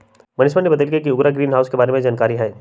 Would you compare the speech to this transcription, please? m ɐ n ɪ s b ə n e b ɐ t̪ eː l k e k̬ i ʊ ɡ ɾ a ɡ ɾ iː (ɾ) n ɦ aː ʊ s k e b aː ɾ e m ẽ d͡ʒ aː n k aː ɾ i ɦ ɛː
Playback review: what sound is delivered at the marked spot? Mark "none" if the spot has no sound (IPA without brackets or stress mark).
none